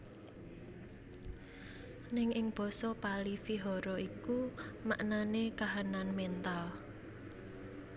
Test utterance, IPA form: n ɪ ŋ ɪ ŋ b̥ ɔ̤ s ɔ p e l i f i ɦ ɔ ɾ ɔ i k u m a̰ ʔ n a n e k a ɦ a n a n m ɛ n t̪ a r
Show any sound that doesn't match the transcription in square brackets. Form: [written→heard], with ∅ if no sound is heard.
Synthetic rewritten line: n ɪ ŋ ɪ ŋ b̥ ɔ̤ s ɔ p [e→a] l i f i ɦ ɔ ɾ ɔ i k u m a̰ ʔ n a n e k a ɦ a n a n m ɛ n t̪ a [r→l]